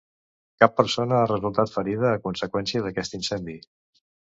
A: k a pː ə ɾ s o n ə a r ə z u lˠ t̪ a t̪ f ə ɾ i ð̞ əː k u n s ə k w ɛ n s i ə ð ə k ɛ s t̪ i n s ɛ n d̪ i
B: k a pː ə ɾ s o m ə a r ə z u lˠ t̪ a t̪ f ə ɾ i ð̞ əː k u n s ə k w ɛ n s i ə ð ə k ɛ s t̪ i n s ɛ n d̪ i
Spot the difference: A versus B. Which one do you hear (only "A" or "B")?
A